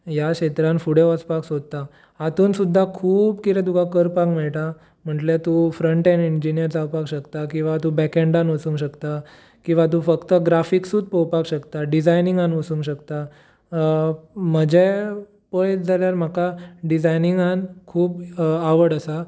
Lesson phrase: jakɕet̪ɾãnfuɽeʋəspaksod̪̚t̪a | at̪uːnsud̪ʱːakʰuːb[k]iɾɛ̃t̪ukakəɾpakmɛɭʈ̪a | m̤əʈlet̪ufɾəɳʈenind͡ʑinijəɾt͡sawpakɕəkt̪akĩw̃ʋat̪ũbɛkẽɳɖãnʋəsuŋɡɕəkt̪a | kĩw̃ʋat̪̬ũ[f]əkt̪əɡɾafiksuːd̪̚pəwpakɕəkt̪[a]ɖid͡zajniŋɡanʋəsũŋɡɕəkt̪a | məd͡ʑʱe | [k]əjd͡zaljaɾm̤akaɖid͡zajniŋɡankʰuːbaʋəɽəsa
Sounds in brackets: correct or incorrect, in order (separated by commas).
correct, correct, correct, incorrect